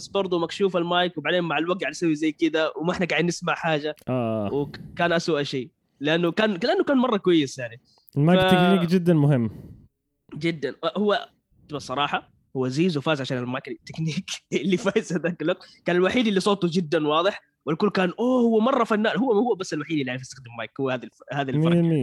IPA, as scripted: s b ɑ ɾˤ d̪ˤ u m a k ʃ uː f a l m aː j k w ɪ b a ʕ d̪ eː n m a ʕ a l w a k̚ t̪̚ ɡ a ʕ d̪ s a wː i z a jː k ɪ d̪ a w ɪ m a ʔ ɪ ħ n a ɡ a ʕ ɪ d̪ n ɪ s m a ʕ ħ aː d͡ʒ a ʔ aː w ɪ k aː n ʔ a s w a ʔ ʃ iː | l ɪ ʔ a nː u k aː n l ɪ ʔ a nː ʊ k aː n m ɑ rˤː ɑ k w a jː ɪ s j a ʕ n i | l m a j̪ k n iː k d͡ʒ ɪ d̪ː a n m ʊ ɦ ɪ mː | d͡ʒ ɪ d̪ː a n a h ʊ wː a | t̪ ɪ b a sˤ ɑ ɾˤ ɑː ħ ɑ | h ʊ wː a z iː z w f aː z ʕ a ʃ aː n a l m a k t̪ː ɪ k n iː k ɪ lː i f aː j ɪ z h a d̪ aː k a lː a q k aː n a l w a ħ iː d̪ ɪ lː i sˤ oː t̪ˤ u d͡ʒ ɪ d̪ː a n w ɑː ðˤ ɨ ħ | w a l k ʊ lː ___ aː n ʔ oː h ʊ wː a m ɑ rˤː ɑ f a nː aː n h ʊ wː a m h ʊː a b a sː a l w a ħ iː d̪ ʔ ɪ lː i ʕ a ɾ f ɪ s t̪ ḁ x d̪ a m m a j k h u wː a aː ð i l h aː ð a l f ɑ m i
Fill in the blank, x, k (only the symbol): k